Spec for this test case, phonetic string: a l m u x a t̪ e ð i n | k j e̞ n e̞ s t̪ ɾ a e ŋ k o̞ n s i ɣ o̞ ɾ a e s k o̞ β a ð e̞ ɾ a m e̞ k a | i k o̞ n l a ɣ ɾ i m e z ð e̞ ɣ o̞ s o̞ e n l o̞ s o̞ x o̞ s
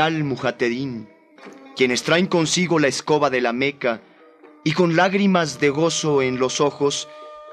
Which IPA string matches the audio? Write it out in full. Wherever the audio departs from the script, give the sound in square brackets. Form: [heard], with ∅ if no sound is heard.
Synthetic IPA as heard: a l m u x a t̪ e ð i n | k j e̞ n e̞ s t̪ ɾ a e ŋ k o̞ n s i ɣ o̞ [l] a e s k o̞ β a ð e̞ [l] a m e̞ k a | i k o̞ n l a ɣ ɾ i m [a] z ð e̞ ɣ o̞ s o̞ e n l o̞ s o̞ x o̞ s